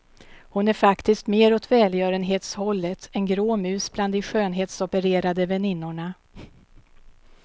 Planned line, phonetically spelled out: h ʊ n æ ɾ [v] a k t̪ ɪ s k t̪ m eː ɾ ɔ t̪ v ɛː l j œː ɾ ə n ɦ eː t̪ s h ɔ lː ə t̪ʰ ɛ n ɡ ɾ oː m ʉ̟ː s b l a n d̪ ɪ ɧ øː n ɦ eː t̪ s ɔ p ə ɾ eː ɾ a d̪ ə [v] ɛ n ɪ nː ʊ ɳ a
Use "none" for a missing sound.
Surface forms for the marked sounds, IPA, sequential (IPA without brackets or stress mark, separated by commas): f, v